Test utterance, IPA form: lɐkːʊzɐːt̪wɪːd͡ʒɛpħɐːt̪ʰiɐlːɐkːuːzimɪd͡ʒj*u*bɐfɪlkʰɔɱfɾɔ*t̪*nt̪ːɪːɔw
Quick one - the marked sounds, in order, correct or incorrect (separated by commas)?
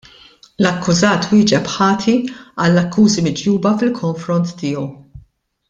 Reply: incorrect, incorrect